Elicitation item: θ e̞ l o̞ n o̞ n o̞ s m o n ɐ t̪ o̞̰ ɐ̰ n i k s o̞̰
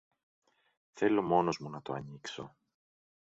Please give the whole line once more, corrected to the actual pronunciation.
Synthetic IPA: θ e̞ l o̞ m o̞ n o̞ z m u n ɐ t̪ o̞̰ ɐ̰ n i k s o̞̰